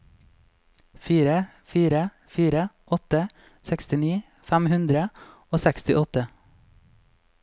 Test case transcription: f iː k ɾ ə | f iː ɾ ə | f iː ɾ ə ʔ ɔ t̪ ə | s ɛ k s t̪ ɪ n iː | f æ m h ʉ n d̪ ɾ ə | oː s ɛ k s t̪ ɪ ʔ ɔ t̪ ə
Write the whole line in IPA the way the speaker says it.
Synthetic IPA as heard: f iː ɾ ə | f iː ɾ ə | f iː ɾ ə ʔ ɔ t̪ ə | s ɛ k s t̪ ɪ n iː | f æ m h ʉ n d̪ ɾ ə | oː s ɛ k s t̪ ɪ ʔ ɔ t̪ ə